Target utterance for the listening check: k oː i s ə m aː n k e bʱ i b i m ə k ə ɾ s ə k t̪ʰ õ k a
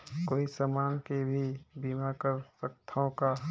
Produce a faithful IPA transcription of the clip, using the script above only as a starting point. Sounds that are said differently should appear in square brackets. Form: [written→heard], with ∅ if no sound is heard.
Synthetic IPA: k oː i s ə m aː n k e bʱ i b i m [ə→a] k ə ɾ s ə k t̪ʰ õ k a